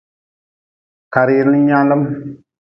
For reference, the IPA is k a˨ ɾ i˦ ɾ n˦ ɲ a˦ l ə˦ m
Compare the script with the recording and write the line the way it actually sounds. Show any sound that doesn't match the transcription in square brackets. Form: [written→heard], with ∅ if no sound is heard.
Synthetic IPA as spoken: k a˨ ɾ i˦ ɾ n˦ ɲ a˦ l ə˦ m

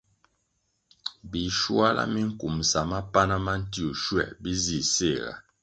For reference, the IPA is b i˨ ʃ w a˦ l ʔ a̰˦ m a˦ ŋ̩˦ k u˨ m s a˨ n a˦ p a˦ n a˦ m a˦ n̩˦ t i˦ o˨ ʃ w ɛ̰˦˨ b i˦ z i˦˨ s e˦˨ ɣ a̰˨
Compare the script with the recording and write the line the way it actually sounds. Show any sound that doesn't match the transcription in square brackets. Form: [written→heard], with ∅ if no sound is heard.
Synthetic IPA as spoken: b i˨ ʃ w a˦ l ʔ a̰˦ m [a˦→i˦] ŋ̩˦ k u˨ m s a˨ [n→m] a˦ p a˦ n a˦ m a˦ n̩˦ t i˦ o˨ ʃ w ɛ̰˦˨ b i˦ z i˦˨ s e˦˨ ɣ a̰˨

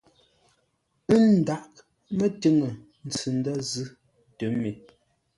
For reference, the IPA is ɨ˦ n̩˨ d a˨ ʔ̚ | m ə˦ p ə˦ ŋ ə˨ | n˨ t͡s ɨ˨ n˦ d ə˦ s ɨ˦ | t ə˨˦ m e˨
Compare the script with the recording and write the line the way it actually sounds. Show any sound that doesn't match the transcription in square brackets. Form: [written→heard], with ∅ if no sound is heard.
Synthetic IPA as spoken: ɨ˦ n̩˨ d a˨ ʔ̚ | m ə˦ [p→t] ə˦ ŋ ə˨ | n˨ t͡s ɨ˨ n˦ d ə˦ [s→z] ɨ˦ | t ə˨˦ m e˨

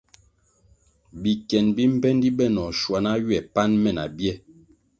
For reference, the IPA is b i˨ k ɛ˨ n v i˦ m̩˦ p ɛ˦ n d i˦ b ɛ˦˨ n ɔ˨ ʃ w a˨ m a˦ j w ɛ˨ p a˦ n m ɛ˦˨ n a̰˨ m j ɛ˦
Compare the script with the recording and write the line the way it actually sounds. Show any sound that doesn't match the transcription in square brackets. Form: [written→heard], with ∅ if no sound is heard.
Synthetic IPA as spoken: b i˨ k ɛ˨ n [v→b] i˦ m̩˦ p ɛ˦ n d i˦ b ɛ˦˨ n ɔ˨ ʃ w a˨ [m→n] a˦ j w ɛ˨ p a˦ n m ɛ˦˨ n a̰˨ [m→b] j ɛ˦

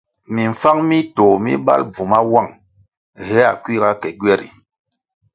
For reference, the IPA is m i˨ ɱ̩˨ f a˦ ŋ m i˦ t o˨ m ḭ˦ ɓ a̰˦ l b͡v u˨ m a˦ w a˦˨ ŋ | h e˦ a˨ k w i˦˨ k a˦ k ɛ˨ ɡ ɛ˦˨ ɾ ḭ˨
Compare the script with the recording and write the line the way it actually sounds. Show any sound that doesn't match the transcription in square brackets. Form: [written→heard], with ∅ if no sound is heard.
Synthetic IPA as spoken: m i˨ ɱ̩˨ f a˦ ŋ m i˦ t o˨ m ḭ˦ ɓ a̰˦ l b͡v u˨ m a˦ w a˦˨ ŋ | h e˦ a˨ k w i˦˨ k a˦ k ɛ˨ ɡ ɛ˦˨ ɾ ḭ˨

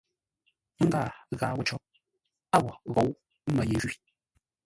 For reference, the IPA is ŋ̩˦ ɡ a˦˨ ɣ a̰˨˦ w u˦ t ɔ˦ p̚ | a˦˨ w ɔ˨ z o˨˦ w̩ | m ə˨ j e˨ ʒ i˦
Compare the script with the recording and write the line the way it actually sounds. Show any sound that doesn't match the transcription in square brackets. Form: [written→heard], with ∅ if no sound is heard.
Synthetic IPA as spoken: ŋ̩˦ ɡ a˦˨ ɣ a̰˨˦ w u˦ [t→t͡ʃ] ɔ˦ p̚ | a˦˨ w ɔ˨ [z→ɣ] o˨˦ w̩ | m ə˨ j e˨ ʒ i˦

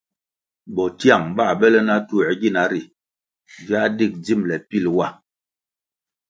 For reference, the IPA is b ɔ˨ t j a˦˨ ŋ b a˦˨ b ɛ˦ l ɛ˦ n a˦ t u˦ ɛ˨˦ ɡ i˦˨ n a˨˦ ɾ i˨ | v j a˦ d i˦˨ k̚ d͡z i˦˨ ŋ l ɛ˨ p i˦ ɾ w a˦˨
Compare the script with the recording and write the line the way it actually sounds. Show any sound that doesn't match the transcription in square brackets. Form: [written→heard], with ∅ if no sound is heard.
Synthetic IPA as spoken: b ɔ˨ t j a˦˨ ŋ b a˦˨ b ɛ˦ l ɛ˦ n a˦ t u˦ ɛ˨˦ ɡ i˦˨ n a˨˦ ɾ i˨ | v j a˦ d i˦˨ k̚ d͡z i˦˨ [ŋ→m] l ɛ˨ p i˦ [ɾ→l] w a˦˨

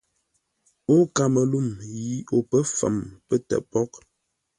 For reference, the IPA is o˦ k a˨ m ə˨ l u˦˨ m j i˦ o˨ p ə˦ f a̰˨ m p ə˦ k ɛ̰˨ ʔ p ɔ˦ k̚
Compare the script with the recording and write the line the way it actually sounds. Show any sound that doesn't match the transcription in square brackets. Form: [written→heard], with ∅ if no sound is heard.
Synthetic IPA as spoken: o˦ k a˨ m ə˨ l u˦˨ m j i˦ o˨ p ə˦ f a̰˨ m p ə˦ [k→t] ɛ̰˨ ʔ p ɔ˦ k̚

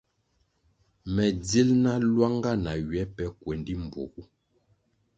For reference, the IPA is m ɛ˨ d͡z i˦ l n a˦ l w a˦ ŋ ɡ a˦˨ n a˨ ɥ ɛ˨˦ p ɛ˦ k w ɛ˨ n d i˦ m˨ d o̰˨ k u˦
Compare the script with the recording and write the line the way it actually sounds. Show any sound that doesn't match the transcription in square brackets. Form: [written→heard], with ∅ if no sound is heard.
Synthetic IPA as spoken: m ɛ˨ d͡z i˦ l n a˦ l w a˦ ŋ ɡ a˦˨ n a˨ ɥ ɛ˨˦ p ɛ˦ k w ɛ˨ n d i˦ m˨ [d→b] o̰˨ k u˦

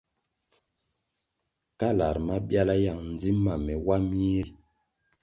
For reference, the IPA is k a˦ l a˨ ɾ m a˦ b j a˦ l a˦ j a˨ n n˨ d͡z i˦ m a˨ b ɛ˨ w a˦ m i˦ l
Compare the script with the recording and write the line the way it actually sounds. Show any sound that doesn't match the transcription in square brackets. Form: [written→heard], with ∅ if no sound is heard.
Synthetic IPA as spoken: k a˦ l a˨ ɾ m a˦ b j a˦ l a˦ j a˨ [n→ŋ] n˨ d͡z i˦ m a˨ [b→m] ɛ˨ w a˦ m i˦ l

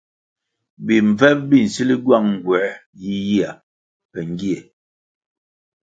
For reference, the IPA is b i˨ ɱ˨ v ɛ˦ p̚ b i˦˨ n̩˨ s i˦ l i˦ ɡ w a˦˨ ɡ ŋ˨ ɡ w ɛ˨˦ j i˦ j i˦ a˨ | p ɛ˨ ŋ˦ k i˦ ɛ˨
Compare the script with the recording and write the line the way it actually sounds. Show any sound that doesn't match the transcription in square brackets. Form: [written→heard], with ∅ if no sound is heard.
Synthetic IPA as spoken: b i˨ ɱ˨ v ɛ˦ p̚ b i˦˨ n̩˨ s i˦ l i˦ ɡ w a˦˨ [ɡ→ŋ] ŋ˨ ɡ w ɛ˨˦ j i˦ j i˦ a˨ | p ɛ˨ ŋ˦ [k→ɡ] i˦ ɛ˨

